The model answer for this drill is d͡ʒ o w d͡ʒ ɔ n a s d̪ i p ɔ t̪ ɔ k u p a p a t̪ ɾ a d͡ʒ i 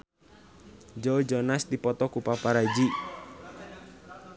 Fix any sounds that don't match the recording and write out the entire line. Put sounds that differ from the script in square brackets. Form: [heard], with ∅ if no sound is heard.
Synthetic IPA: d͡ʒ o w d͡ʒ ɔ n a s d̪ i p ɔ t̪ ɔ k u p a p a [∅] ɾ a d͡ʒ i